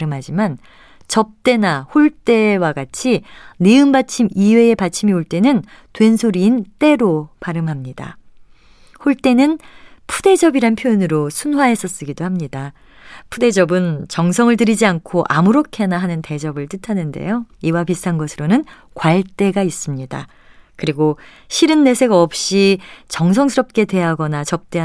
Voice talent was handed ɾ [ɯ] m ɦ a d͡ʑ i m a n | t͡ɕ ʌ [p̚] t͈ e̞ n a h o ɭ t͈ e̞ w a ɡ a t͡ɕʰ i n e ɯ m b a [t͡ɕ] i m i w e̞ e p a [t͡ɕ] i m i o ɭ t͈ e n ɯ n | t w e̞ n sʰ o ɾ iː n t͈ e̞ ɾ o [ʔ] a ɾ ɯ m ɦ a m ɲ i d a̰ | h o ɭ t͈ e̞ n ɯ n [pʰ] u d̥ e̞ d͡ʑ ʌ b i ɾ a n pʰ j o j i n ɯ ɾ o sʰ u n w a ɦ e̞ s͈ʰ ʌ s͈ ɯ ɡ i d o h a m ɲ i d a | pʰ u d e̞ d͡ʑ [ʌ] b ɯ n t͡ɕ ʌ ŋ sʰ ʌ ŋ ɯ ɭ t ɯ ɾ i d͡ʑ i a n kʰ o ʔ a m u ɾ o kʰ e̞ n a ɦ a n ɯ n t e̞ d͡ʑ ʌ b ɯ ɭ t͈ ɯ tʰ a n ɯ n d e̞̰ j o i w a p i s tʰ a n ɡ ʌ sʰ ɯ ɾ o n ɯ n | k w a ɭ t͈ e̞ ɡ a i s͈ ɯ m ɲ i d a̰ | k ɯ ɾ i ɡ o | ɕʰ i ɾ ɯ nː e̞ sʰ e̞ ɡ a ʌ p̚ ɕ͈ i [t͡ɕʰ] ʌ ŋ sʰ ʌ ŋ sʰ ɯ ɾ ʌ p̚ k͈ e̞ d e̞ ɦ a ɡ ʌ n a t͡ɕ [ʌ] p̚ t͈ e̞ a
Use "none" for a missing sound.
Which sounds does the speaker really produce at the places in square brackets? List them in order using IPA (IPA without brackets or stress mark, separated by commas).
ɯ, p̚, t͡ɕʰ, t͡ɕʰ, p, pʰ, ʌ, t͡ɕ, ʌ